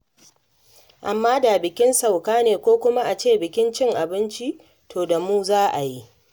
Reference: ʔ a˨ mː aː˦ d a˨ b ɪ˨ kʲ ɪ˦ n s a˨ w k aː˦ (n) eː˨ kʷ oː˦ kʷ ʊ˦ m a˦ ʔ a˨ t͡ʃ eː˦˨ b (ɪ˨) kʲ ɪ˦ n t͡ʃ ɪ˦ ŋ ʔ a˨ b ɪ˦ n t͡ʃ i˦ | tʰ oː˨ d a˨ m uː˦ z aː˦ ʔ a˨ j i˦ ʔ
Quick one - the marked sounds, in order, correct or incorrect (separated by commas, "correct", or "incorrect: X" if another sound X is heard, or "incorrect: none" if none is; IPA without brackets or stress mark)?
correct, correct